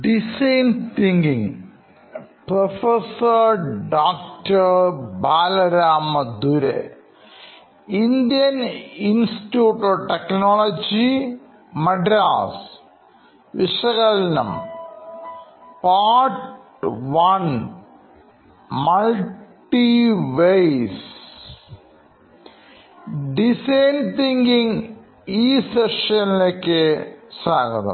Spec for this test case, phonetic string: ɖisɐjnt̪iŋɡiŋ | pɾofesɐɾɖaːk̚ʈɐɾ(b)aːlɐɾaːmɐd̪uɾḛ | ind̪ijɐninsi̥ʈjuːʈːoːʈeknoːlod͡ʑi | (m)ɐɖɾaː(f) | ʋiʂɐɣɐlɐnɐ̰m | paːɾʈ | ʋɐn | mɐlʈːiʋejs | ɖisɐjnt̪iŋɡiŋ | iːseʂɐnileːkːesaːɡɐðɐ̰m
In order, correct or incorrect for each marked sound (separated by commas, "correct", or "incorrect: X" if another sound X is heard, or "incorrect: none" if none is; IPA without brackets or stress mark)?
correct, correct, incorrect: s